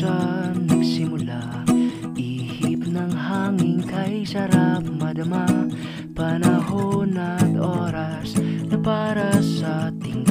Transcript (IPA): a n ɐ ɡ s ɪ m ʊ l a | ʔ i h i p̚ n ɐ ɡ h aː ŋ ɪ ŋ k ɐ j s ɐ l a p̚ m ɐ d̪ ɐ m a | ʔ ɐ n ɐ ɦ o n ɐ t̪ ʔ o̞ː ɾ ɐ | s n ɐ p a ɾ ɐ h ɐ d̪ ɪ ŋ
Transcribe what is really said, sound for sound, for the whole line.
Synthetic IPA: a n ɐ ɡ s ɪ m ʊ l a | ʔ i h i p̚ n ɐ ŋ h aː ŋ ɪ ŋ k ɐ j s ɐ ɾ a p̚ m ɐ d̪ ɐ m a | p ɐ n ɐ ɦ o n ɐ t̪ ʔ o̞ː ɾ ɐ | s n ɐ p a ɾ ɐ s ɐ t̪ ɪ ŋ